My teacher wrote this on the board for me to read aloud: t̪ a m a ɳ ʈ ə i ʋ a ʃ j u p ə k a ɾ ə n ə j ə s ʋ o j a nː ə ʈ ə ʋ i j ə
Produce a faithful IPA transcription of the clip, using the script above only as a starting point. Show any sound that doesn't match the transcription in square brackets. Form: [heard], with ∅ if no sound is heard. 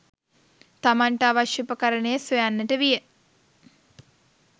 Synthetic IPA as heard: t̪ a m a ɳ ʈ ə [a] ʋ a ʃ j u p ə k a ɾ ə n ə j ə s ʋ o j a nː ə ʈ ə ʋ i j ə

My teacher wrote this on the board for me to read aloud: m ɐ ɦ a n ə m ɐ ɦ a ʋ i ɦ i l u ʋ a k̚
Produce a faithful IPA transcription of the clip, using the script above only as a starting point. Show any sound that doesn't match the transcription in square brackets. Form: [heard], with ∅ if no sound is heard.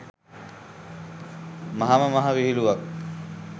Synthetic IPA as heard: m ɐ ɦ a [m] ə m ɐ ɦ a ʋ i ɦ i l u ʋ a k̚

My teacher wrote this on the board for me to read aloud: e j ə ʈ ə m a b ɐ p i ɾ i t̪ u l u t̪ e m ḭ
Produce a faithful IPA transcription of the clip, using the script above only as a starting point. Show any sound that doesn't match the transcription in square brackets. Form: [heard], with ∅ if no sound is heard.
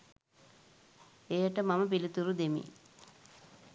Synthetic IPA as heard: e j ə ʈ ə m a [m] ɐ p i [l] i t̪ u [ɾ] u [d̪] e m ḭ

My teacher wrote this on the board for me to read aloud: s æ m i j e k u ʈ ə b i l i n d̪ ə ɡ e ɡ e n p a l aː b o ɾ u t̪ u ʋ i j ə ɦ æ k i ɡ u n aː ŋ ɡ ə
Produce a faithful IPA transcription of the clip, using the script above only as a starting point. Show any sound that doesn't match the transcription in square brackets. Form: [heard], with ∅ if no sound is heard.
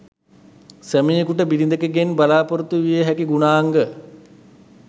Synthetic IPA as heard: s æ m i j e k u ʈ ə b i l i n d̪ ə [k] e ɡ e n [b] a l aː [p] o ɾ u t̪ u ʋ i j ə ɦ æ k i ɡ u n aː ŋ ɡ ə

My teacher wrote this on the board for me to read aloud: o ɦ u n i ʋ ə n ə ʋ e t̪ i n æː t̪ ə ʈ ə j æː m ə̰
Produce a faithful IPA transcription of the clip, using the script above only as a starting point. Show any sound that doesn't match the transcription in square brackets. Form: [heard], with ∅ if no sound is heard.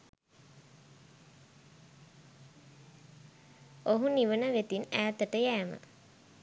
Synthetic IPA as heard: o ɦ u n i ʋ ə n ə ʋ e t̪ i n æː t̪ ə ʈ ə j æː m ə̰

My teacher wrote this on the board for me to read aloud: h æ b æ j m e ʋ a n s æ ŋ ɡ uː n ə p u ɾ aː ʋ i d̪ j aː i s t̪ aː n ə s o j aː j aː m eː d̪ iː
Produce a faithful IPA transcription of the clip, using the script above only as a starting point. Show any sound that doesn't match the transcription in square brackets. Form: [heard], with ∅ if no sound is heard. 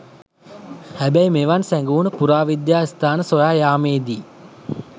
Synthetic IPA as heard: h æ b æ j m e ʋ a n s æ ŋ ɡ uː n ə p u ɾ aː ʋ i d̪ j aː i s t̪ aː n ə s o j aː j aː m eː d̪ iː

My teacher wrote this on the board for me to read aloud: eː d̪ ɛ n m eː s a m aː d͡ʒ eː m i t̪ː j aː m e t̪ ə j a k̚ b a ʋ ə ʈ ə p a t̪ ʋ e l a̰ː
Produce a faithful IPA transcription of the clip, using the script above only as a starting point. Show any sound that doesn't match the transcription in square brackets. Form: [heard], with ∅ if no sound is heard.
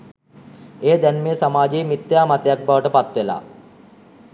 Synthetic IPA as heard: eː d̪ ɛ n m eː s a m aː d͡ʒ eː m i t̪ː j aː m [a] t̪ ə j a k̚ b a ʋ ə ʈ ə p a t̪ ʋ e l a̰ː

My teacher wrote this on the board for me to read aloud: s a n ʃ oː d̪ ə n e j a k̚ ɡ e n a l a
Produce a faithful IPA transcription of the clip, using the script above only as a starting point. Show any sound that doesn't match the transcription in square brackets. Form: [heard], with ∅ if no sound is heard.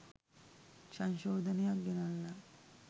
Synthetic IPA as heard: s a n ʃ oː d̪ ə n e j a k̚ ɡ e n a [lː] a

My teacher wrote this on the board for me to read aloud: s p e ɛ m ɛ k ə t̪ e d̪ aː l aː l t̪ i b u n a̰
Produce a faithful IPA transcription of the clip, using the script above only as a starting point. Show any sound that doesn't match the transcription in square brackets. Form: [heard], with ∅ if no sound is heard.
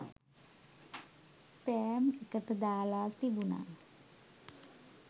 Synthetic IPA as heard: s p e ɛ m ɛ k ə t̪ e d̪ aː l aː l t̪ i b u n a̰

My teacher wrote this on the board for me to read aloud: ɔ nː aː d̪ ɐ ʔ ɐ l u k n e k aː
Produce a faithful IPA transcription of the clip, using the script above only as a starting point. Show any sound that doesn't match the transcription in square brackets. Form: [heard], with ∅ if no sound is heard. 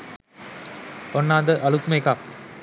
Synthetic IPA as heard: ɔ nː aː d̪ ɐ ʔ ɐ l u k [m] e k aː

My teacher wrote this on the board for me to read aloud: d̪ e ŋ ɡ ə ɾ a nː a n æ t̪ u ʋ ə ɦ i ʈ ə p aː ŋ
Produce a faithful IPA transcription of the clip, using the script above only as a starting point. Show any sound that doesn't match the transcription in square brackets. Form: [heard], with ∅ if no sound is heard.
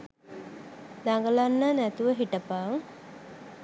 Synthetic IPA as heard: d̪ [a] ŋ ɡ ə [l] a nː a n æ t̪ u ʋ ə ɦ i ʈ ə p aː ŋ

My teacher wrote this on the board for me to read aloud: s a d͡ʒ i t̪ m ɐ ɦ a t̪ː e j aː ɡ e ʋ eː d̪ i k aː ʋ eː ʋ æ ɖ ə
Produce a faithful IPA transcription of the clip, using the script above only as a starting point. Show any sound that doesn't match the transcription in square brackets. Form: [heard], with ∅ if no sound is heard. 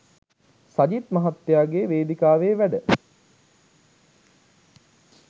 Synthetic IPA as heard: s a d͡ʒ i t̪ m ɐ ɦ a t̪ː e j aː ɡ e ʋ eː d̪ i k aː ʋ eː ʋ æ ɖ ə

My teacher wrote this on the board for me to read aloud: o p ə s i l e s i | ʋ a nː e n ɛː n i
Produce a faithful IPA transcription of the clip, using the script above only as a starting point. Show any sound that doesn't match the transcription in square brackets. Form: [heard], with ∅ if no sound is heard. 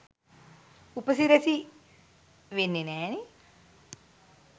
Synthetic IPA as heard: [u] p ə s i [ɾ] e s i | ʋ [e] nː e n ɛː n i

